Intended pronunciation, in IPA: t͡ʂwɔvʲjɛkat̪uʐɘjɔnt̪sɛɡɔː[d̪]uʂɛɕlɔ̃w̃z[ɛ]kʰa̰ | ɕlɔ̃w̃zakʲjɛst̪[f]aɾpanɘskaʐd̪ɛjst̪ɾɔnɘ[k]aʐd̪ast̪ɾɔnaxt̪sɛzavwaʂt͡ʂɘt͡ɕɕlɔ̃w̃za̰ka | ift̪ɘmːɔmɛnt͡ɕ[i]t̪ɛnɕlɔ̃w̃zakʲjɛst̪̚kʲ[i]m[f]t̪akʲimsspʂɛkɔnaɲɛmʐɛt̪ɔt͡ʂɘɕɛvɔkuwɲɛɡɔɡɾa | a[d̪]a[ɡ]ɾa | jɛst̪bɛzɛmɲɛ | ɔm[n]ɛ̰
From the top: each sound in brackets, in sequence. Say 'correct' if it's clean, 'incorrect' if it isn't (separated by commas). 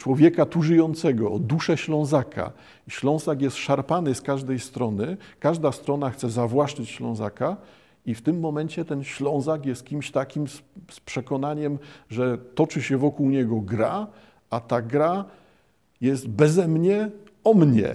correct, incorrect, incorrect, correct, incorrect, correct, incorrect, incorrect, correct, incorrect